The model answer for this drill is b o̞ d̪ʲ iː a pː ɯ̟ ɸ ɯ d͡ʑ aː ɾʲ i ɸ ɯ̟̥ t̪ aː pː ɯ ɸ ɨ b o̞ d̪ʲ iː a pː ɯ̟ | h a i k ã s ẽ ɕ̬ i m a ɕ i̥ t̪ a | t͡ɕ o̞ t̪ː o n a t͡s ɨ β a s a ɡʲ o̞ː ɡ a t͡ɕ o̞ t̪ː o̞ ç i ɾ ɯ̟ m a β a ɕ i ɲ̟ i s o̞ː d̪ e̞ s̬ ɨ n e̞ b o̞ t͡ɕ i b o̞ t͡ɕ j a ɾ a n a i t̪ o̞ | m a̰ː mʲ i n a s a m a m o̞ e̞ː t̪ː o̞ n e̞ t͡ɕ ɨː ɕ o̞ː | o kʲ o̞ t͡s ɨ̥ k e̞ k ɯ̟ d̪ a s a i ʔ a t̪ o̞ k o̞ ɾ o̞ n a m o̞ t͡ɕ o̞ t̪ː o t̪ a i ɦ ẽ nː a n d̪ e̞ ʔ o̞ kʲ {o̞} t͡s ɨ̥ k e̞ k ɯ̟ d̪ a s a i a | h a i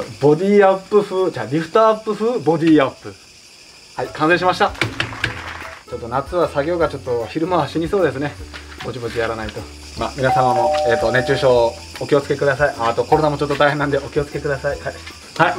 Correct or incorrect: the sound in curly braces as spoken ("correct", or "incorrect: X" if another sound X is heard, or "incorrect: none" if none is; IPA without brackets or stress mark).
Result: correct